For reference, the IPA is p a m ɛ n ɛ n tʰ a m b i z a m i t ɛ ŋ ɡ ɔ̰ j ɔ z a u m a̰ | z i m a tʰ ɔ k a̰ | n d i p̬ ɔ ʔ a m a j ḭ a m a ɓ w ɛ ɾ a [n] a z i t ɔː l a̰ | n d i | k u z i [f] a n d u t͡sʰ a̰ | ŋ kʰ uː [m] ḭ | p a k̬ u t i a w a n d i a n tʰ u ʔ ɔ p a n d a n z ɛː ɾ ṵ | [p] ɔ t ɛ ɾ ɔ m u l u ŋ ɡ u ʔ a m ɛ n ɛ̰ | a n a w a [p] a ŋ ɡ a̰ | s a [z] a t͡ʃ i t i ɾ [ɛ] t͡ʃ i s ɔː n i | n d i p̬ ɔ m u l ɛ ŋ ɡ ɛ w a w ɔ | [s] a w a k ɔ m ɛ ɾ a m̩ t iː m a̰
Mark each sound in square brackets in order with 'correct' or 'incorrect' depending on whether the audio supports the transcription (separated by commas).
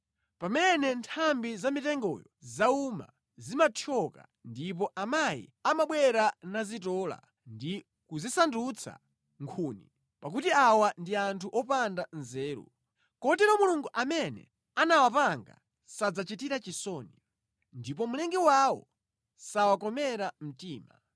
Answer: correct, incorrect, incorrect, incorrect, correct, incorrect, incorrect, correct